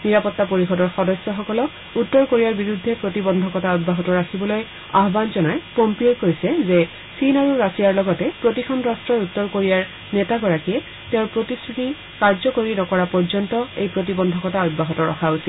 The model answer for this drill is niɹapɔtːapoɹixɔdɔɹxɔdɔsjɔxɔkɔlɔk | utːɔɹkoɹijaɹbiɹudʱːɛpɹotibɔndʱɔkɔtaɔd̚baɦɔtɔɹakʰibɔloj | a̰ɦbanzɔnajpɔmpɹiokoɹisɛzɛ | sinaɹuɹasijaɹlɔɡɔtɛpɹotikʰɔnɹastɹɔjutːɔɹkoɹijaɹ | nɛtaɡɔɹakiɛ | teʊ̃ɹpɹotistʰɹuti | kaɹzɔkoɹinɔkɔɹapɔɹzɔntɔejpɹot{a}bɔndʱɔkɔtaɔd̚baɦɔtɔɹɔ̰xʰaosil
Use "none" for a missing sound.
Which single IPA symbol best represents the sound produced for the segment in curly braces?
i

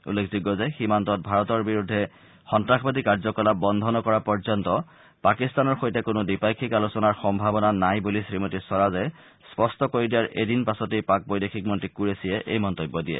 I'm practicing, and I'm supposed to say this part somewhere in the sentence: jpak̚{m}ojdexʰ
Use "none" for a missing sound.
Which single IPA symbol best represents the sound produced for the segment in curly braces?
b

